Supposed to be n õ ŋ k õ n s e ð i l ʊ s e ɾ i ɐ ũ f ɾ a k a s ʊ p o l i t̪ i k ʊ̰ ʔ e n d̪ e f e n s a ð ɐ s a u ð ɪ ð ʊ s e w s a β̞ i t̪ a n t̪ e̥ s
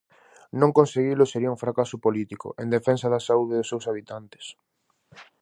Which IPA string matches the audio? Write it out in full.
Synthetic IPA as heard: n õ ŋ k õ n s e ɣ i l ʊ s e ɾ i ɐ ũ f ɾ a k a s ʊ p o l i t̪ i k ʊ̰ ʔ e n d̪ e f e n s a ð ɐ s a u ð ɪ ð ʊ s e w s a β̞ i t̪ a n t̪ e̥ s